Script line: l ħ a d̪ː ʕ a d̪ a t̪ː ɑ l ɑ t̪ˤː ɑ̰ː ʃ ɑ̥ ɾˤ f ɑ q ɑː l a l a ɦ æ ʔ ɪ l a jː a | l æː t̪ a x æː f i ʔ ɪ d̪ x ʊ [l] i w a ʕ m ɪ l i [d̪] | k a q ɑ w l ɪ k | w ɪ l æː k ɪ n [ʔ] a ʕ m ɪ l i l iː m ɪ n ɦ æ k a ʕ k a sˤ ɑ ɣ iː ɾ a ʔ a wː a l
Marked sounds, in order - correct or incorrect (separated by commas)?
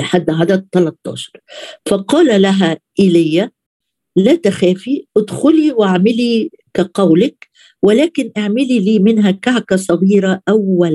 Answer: correct, incorrect, correct